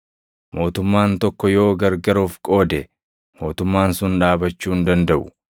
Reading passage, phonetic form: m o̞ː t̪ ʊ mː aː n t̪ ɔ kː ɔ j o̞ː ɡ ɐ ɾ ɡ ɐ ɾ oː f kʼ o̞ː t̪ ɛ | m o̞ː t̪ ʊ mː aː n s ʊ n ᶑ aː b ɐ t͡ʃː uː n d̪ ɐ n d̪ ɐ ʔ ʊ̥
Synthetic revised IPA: m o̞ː t̪ ʊ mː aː n t̪ ɔ kː ɔ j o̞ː ɡ ɐ ɾ ɡ ɐ ɾ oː f kʼ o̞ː d̪ ɛ | m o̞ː t̪ ʊ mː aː n s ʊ n ᶑ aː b ɐ t͡ʃː uː n d̪ ɐ n d̪ ɐ ʔ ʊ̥